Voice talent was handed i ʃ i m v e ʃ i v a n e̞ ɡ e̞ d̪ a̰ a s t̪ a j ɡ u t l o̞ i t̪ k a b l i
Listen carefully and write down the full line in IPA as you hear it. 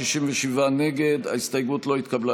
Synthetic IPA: i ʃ i m v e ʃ i v a n e̞ ɡ e̞ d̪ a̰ i s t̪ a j ɡ u t l o̞ i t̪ k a b l a